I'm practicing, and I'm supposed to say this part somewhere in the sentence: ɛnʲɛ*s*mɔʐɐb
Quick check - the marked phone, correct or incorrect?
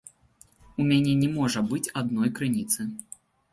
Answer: incorrect